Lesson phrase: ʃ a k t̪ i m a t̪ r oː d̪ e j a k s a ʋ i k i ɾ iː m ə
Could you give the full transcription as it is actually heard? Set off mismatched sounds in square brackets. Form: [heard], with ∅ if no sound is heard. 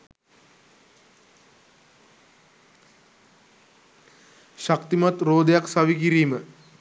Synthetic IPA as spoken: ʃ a k t̪ i m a t̪ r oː d̪ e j a k s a ʋ i k i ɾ iː m ə